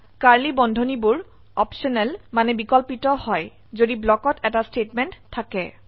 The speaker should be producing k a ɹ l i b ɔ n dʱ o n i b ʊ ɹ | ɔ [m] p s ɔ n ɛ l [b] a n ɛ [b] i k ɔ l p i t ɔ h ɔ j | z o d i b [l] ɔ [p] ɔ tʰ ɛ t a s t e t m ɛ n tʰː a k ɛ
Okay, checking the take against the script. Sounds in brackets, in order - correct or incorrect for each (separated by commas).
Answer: incorrect, incorrect, correct, correct, incorrect